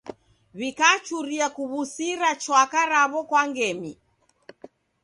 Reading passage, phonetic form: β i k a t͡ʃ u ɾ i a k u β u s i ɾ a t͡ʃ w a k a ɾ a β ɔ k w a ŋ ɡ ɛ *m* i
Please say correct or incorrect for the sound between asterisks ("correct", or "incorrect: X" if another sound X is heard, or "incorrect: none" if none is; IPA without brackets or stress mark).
correct